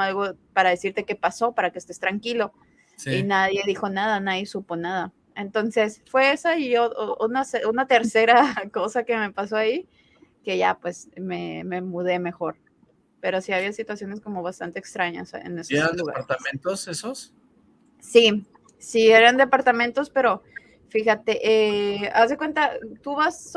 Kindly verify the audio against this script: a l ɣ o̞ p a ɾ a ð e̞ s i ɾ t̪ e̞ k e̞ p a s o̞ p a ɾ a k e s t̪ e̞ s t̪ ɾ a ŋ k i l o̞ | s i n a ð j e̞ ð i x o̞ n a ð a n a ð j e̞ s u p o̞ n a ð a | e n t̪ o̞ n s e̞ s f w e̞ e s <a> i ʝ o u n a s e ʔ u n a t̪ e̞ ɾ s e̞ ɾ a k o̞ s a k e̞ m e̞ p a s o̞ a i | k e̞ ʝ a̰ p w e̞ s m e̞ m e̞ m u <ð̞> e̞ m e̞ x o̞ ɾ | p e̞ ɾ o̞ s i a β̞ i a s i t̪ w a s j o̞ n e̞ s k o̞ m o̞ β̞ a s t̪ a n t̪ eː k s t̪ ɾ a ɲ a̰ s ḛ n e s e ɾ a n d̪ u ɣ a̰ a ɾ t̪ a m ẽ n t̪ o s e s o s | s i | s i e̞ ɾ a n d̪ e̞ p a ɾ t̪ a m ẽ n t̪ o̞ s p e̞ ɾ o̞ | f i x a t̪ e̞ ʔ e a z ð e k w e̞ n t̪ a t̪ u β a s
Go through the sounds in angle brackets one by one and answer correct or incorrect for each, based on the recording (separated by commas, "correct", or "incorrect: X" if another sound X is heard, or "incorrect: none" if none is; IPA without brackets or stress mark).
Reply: correct, correct